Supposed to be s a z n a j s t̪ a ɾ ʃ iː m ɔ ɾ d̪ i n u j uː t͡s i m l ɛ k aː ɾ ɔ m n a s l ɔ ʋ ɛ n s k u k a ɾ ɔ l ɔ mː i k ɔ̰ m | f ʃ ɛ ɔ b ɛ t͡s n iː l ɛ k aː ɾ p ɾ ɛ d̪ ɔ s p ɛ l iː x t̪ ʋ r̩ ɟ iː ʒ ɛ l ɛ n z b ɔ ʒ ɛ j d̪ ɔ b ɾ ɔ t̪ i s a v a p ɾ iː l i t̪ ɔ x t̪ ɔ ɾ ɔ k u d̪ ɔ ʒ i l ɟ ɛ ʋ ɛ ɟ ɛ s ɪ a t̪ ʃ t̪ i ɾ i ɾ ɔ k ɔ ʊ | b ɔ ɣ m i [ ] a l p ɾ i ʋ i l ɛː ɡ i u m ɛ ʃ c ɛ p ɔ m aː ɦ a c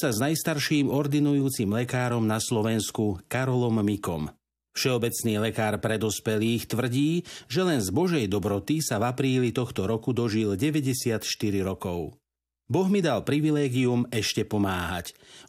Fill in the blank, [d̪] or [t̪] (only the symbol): d̪